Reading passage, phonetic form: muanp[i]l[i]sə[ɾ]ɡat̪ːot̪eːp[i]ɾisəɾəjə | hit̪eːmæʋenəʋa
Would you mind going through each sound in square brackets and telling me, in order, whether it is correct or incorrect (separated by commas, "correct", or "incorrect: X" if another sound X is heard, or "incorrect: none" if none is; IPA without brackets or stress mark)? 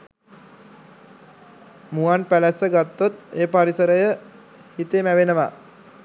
incorrect: æ, incorrect: æ, incorrect: none, incorrect: a